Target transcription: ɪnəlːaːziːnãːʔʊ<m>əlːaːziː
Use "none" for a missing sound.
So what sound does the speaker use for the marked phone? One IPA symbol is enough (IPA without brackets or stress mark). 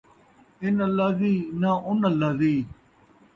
n